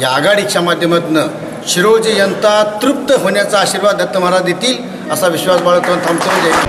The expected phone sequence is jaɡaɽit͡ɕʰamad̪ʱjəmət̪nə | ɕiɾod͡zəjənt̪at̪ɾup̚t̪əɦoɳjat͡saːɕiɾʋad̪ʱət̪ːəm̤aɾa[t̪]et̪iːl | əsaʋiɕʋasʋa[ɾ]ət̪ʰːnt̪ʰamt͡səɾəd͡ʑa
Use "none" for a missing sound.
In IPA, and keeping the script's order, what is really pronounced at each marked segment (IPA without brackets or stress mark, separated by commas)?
d̪, ɭ